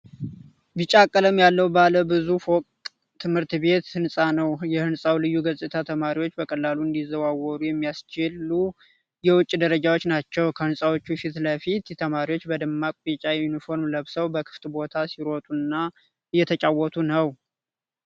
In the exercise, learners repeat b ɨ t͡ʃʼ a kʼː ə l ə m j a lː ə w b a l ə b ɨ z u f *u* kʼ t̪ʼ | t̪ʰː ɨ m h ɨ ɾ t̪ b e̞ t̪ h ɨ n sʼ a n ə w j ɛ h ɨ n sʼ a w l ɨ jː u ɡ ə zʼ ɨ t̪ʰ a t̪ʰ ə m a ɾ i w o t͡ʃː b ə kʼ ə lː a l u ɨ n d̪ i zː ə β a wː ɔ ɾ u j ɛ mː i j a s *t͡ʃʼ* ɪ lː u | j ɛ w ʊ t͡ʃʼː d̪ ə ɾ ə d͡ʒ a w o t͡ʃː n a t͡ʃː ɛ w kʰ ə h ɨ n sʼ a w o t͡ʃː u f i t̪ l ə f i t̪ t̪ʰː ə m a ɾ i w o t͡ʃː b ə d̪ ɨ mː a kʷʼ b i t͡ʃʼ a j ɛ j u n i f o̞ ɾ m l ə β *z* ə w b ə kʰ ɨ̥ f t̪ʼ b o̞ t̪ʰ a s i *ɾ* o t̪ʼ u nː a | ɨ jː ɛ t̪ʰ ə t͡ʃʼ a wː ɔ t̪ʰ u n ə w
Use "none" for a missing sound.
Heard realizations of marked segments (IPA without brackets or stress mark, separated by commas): o, t͡ʃ, s, ɾ